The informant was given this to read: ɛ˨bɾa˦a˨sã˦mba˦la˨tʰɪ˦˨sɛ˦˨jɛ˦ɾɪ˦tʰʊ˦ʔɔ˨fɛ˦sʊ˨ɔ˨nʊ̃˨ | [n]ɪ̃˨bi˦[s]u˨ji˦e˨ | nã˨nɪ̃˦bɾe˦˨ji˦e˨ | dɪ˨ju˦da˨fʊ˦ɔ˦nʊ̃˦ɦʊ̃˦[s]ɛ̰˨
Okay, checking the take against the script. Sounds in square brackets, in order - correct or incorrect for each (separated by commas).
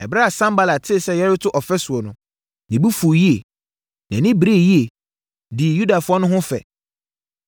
correct, incorrect, incorrect